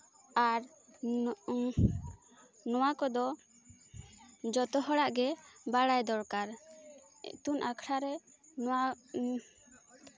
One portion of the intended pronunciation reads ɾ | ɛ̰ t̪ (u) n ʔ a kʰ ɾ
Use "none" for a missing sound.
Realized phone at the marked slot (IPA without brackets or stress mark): u